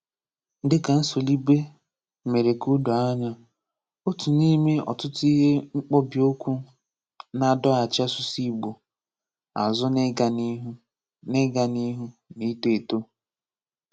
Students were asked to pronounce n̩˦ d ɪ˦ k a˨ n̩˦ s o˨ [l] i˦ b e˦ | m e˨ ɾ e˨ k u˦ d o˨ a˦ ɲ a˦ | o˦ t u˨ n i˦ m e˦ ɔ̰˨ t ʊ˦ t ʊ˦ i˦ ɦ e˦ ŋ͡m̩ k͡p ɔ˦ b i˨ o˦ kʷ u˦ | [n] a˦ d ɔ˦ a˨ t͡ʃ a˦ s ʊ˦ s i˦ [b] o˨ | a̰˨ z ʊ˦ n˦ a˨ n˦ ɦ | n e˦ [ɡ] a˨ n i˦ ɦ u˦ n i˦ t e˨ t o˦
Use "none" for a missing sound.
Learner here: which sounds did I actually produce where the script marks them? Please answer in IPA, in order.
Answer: l, n, ɡ͡b, ɡ

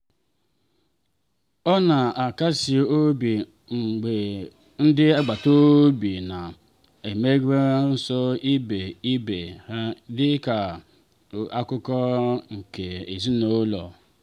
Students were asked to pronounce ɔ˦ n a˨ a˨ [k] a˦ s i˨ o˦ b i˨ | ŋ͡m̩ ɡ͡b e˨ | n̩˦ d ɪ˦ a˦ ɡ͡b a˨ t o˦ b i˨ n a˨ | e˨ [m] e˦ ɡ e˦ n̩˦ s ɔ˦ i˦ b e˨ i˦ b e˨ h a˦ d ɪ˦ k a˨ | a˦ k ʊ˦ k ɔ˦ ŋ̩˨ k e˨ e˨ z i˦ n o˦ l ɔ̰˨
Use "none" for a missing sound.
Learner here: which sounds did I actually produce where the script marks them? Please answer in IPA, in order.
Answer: k, m

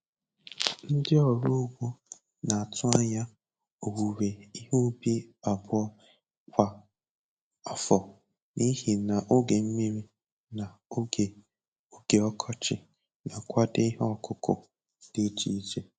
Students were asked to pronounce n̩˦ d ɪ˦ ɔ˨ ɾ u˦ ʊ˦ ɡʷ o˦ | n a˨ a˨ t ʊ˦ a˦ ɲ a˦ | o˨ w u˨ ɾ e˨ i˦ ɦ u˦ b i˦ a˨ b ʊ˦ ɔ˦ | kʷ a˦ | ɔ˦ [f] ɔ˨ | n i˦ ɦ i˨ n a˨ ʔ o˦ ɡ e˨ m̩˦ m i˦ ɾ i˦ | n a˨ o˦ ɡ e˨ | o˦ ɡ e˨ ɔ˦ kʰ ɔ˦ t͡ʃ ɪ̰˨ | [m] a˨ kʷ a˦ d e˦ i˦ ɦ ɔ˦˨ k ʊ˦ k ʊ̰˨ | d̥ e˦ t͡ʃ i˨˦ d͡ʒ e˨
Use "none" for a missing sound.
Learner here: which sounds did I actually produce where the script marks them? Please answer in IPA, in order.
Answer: f, n

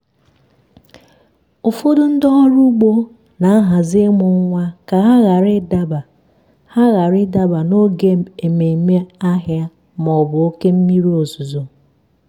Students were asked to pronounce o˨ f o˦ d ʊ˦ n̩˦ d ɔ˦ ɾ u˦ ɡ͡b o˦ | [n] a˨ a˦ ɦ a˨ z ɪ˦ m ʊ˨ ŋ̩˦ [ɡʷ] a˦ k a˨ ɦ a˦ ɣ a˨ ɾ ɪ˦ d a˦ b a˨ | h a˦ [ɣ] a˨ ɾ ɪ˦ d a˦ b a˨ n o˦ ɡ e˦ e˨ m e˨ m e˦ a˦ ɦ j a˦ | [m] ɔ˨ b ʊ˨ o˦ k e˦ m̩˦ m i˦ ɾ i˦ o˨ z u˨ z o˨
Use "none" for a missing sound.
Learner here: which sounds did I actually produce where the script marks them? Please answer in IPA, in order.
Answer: n, ŋʷ, ɣ, m

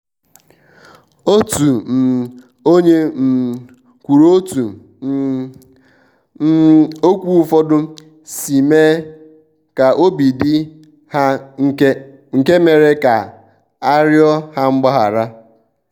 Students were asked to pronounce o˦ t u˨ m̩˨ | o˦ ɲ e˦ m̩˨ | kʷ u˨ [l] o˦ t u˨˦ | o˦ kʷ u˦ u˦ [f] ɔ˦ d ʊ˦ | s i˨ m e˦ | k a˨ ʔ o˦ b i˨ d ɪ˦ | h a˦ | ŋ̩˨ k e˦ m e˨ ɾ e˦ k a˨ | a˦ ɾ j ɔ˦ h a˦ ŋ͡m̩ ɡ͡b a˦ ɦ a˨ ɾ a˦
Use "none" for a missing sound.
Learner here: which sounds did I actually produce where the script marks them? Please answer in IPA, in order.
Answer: ɾ, f

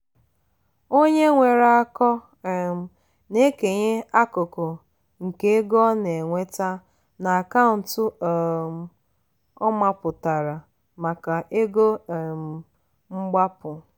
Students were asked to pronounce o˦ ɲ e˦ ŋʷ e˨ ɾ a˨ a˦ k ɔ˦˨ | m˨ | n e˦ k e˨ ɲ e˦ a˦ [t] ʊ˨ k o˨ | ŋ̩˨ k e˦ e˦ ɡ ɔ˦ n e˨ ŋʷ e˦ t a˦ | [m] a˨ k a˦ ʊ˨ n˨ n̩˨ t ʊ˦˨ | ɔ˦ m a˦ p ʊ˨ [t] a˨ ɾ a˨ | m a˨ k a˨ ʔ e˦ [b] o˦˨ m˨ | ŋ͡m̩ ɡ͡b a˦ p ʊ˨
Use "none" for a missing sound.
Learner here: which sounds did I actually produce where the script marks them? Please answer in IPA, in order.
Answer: k, n, t, ɡ

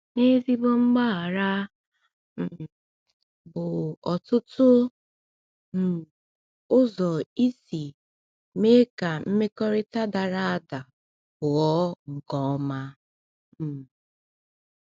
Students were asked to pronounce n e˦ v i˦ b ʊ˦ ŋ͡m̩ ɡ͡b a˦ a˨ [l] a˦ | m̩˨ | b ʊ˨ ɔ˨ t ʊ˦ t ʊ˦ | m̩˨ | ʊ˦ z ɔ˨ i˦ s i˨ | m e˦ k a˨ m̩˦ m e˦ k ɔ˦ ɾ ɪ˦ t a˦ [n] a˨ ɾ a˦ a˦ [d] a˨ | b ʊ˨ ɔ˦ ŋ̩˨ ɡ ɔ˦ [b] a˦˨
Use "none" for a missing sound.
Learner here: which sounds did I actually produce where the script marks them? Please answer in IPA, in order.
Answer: ɾ, d, d, m

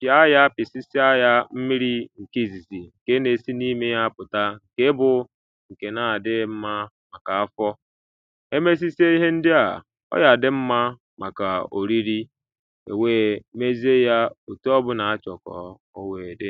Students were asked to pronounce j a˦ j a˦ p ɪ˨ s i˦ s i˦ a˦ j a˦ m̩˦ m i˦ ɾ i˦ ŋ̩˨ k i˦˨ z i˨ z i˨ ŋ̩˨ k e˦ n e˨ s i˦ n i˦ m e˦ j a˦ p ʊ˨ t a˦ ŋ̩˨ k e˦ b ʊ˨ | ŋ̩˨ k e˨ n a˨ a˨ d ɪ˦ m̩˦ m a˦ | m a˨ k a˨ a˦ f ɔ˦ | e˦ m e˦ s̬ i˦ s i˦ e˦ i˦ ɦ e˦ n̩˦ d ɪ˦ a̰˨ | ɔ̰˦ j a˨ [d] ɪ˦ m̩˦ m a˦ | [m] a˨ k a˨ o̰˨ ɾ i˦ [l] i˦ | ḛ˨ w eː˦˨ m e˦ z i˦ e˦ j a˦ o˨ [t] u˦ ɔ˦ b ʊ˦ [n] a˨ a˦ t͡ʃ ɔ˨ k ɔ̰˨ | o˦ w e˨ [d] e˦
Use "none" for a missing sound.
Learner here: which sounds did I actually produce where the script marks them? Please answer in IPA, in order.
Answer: d, m, ɾ, t, n, d

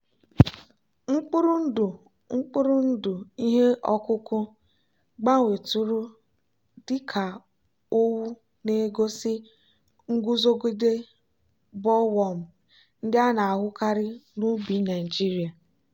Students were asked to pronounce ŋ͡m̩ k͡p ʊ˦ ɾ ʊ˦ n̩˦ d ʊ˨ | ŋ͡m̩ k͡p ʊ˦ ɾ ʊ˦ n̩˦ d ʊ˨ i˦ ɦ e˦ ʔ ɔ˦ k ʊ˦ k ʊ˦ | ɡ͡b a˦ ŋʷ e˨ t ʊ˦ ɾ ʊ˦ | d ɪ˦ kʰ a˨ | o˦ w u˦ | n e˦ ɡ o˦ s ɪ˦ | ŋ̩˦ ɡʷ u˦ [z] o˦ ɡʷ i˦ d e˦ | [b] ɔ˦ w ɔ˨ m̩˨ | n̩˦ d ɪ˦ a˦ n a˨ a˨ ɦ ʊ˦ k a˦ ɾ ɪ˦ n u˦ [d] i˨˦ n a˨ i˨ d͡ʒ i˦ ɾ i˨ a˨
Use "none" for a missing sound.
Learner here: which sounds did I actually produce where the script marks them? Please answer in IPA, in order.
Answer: z, b, b

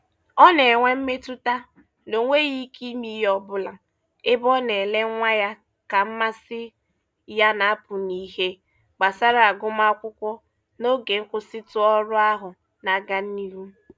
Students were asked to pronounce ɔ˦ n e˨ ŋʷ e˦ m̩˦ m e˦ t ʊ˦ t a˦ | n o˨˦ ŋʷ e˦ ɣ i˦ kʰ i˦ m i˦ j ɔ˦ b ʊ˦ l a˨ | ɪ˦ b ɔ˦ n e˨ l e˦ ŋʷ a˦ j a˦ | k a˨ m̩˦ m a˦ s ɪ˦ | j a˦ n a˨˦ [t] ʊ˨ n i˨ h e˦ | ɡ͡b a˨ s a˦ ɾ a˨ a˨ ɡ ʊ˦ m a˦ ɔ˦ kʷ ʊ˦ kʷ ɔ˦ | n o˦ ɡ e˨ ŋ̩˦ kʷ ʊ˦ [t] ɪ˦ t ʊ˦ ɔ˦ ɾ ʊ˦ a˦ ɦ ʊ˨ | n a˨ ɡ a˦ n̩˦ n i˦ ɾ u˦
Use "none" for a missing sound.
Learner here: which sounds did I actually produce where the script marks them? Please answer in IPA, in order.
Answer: p, s

